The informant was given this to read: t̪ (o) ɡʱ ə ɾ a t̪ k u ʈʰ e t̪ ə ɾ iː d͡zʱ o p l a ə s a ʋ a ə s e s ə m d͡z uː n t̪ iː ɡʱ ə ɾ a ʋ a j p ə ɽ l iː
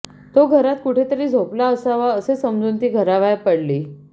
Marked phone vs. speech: correct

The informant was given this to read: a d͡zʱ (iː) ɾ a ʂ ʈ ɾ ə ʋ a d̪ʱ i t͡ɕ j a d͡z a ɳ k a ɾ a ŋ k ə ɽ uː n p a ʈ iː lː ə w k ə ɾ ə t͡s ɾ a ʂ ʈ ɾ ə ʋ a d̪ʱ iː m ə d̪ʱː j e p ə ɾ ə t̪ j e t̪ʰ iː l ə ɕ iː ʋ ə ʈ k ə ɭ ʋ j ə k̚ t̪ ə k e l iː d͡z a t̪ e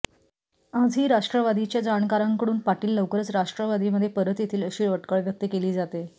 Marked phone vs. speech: correct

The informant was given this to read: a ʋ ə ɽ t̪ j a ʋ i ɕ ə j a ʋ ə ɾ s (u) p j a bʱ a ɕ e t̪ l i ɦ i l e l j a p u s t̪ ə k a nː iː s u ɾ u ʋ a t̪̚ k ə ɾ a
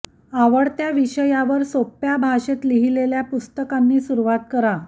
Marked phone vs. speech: incorrect: o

